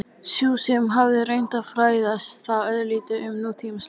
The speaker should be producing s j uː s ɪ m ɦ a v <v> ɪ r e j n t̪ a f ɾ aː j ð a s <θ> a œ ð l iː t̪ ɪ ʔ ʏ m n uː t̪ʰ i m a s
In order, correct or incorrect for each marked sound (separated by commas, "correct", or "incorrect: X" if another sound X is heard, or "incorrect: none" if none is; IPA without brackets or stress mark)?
incorrect: ð, correct